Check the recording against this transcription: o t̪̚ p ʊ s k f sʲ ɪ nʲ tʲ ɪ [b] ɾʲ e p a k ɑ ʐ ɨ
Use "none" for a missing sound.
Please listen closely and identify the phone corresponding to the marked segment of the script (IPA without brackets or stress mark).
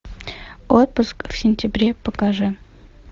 b